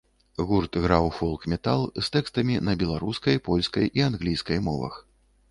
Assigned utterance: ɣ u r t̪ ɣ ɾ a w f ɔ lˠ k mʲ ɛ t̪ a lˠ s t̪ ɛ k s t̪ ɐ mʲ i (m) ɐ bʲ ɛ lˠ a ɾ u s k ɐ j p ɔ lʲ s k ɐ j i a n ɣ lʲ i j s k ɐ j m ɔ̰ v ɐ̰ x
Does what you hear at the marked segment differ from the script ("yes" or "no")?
yes